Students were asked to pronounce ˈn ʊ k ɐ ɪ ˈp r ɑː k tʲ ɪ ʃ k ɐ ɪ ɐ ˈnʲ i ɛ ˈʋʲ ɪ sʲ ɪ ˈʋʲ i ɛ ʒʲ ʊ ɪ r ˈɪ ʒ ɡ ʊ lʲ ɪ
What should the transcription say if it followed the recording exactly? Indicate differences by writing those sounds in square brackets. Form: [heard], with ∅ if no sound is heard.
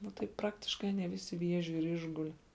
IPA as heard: ˈn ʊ [t] ɐ ɪ ˈp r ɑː k tʲ ɪ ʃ k ɐ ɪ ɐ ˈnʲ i ɛ ˈʋʲ ɪ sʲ ɪ ˈʋʲ i ɛ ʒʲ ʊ ɪ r ˈɪ ʒ ɡ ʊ lʲ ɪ